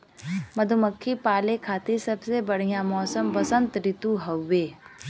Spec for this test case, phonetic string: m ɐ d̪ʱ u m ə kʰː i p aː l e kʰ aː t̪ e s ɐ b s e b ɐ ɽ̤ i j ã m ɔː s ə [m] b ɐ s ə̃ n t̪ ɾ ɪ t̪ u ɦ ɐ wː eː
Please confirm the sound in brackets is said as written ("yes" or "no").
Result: yes